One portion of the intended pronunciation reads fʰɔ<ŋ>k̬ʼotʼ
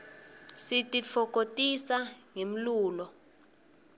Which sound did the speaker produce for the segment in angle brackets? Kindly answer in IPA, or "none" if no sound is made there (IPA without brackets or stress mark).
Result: none